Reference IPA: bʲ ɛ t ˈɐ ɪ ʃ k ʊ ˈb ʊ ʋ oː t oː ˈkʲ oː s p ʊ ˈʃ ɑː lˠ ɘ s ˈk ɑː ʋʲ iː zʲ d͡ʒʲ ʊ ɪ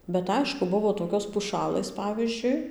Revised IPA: bʲ ɛ t ˈɐ ɪ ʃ k ʊ ˈb ʊ ʋ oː t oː ˈkʲ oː s p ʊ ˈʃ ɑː lˠ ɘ s ˈp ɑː ʋʲ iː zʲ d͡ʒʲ ʊ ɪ